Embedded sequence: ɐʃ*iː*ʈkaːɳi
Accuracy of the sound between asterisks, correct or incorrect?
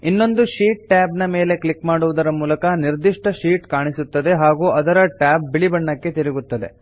correct